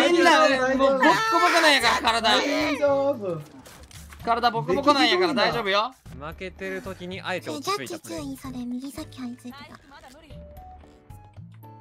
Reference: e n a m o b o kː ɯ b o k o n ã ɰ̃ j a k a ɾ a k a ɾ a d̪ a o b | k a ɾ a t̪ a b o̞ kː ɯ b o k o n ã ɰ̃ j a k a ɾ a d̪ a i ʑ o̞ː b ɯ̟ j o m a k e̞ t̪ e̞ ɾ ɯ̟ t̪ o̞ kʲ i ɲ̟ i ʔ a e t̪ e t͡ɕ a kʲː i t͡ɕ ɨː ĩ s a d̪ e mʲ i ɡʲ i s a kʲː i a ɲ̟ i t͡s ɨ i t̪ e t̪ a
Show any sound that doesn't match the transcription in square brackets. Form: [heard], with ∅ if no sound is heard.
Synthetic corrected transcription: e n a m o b o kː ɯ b o k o n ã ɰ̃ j a k a ɾ a k a ɾ a d̪ a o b | k a ɾ a [d̪] a b o̞ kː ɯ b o k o n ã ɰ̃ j a k a ɾ a d̪ a i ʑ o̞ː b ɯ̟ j o m a k e̞ t̪ e̞ ɾ ɯ̟ t̪ o̞ kʲ i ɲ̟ i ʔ a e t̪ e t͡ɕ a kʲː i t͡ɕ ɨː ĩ s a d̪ e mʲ i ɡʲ i s a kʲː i a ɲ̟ i t͡s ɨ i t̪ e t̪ a